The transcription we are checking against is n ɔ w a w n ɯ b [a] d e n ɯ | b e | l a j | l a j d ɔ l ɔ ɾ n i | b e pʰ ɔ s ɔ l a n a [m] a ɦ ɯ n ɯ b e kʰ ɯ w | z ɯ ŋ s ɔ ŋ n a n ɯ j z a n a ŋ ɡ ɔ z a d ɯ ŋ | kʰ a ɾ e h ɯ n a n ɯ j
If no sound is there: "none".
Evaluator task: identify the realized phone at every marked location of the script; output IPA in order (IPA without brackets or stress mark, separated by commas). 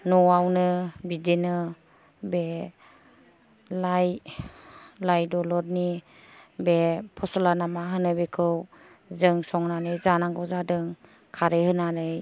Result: i, m